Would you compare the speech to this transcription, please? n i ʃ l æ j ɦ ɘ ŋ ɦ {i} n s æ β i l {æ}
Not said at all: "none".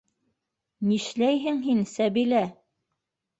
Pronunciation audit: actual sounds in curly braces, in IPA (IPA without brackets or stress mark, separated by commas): i, æ